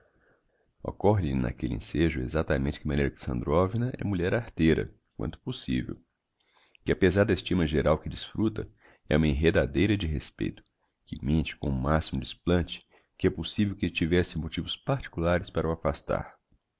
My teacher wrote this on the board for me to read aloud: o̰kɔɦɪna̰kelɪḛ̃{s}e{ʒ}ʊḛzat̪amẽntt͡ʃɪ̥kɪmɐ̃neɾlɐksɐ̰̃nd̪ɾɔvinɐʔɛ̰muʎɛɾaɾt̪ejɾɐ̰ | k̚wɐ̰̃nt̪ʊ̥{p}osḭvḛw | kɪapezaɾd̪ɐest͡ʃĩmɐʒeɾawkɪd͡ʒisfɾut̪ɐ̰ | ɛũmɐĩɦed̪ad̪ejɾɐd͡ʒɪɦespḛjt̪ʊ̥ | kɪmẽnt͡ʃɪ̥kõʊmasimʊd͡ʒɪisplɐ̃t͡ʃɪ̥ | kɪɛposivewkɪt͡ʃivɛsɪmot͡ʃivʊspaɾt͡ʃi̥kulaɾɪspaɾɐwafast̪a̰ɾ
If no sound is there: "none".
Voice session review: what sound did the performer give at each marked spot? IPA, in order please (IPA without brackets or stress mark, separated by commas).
s, ʒ, p